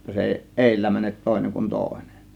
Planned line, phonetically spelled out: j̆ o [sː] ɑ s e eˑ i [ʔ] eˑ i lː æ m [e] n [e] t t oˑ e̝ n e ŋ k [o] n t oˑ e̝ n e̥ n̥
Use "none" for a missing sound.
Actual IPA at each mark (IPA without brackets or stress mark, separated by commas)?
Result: tː, ʔ, æ, e, u